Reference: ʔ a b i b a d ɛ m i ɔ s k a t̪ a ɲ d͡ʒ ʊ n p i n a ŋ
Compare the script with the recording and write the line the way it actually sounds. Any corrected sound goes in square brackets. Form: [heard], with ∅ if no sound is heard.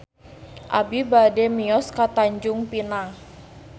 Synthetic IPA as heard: ʔ a b i b a d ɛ m i ɔ s k a t̪ a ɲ d͡ʒ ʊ [ŋ] p i n a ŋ